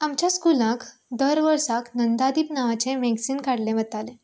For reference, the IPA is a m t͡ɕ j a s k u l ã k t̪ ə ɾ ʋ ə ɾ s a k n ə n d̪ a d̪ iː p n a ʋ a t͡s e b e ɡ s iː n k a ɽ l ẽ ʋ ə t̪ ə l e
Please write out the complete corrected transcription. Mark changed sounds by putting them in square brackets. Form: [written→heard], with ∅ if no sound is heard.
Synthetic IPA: a m t͡ɕ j a s k u l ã k [t̪→d̪] ə ɾ ʋ ə ɾ s a k n ə n d̪ a d̪ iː p n a ʋ a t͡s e [b→m] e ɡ s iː n k a ɽ l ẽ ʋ ə t̪ [ə→a] l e